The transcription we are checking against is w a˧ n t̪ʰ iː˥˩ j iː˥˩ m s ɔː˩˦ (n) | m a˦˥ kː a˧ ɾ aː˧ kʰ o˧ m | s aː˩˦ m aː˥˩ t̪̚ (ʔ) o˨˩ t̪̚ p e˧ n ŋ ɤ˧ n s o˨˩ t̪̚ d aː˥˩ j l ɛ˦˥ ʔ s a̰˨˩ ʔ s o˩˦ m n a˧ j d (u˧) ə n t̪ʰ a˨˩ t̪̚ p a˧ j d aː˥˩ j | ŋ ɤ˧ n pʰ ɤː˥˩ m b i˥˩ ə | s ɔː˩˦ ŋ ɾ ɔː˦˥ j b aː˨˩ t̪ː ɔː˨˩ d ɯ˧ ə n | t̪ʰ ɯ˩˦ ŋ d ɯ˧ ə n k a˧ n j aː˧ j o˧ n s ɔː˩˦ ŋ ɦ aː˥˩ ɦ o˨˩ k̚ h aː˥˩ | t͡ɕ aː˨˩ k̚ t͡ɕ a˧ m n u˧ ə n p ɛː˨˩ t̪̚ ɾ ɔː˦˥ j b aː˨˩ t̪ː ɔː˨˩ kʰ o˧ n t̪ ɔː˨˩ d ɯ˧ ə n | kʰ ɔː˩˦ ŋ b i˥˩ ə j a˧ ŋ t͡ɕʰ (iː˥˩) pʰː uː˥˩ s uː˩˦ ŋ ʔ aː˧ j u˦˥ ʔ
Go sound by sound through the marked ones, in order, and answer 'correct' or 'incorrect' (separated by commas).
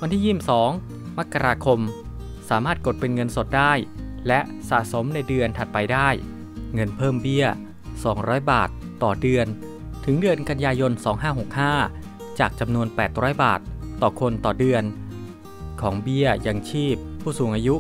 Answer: incorrect, incorrect, incorrect, correct